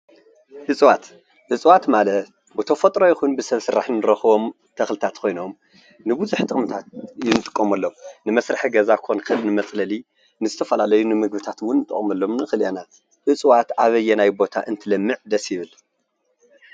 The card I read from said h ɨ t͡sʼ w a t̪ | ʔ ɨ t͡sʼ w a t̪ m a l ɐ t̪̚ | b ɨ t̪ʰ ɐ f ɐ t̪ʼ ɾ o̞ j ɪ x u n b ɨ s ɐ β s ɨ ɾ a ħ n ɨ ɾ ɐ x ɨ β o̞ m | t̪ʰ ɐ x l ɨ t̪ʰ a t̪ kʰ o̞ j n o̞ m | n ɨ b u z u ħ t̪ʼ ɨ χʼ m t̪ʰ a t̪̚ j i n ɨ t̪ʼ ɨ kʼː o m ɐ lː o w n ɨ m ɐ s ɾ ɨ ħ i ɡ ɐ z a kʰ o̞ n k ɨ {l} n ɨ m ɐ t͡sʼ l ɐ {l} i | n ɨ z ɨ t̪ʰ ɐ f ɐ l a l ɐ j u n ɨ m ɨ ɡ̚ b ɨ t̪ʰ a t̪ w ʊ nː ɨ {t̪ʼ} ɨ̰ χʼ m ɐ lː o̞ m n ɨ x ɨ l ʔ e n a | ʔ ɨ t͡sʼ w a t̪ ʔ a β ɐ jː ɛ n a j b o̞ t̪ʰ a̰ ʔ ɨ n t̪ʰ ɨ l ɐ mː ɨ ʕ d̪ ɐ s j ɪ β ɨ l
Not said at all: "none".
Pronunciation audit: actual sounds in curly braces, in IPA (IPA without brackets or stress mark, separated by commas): l, l, t̪ʼ